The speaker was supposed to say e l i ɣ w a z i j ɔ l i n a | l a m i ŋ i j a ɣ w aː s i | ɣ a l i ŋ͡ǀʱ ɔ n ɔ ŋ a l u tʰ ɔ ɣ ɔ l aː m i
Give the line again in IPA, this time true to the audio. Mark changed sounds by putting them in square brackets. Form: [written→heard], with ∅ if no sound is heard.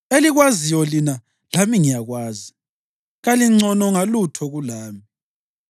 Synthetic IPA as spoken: e l i ɣ w a z i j ɔ l i n a | l a m i ŋ i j a ɣ w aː [s→z] i | ɣ a l i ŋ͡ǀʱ ɔ n ɔ ŋ a l u tʰ ɔ ɣ [ɔ→u] l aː m i